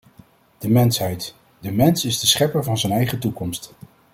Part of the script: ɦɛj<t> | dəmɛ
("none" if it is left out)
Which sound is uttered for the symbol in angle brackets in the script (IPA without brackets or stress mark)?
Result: t